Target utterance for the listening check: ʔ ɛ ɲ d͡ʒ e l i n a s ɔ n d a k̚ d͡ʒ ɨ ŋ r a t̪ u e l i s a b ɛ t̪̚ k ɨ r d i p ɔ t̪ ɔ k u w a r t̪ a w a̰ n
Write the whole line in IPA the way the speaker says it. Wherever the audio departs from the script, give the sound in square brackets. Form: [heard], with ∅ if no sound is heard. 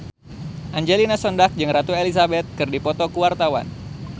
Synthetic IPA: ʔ [a] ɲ d͡ʒ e l i n a s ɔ n d a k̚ d͡ʒ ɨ ŋ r a t̪ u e l i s a b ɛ t̪̚ k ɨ r d i p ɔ t̪ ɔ k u w a r t̪ a w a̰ n